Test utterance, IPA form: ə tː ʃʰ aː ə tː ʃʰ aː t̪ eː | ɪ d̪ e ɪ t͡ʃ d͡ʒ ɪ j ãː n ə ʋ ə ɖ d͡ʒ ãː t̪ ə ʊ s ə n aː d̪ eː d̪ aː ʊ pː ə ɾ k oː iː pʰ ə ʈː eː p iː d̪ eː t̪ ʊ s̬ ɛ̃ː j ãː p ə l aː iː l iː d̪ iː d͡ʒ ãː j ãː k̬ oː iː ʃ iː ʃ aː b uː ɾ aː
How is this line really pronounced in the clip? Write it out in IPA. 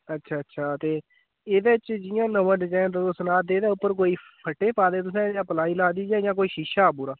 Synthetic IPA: ə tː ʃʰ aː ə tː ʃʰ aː t̪ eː | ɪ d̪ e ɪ t͡ʃ d͡ʒ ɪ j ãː n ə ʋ ə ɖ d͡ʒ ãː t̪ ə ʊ s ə n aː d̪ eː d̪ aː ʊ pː ə ɾ k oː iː pʰ ə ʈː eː p aː d̪ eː t̪ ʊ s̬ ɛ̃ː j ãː p ə l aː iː l aː d̪ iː d͡ʒ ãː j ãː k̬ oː iː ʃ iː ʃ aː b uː ɾ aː